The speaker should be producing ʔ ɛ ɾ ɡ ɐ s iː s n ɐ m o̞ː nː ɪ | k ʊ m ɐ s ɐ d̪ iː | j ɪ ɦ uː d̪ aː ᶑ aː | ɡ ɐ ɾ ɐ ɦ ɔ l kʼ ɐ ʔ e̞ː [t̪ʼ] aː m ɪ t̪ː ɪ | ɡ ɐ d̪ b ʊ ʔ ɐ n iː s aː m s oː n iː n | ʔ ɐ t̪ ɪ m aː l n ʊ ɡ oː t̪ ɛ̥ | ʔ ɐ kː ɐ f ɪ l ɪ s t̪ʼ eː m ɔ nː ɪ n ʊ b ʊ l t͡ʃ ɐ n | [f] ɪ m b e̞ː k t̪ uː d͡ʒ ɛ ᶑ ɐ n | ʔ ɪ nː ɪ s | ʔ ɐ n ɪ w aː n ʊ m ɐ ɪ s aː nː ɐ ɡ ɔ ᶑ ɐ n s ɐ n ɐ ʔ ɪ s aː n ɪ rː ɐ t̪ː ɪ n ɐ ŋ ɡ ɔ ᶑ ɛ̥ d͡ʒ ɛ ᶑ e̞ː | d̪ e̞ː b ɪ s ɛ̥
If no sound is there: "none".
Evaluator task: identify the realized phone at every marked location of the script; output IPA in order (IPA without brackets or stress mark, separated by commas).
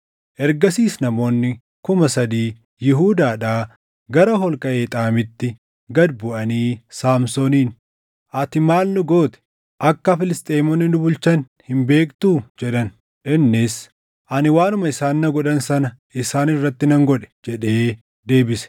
t̪ʼ, h